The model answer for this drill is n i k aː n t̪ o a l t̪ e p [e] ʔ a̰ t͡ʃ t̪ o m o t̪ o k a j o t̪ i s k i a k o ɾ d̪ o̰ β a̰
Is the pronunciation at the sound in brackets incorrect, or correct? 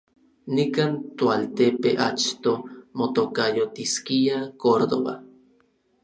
correct